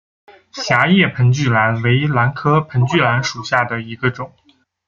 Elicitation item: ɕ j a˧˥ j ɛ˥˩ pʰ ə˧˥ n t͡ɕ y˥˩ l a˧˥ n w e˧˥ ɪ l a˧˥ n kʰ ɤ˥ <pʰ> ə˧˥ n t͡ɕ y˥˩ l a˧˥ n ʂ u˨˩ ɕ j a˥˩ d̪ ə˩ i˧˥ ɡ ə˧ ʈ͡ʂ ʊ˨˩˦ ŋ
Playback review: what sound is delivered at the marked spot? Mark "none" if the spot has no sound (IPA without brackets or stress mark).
pʰ